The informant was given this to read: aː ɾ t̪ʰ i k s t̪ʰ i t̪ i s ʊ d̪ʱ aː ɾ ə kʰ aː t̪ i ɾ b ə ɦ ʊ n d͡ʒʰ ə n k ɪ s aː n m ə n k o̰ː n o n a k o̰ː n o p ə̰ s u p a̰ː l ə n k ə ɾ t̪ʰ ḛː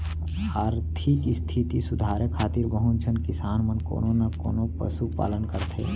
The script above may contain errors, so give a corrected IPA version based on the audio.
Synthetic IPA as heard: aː ɾ t̪ʰ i k s t̪ʰ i t̪ i s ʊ d̪ʱ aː ɾ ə kʰ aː t̪ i ɾ b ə ɦ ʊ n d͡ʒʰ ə n k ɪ s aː n m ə n k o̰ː n o n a k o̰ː n o p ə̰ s u p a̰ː l ə n k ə ɾ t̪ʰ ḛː